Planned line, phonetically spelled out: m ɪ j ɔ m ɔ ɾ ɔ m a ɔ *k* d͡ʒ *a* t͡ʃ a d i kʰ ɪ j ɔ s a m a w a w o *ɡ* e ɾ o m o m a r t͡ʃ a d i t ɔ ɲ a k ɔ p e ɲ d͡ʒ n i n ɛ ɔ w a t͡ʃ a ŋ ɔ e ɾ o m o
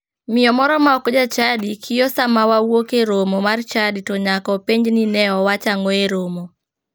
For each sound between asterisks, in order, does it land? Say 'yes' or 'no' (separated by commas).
yes, yes, no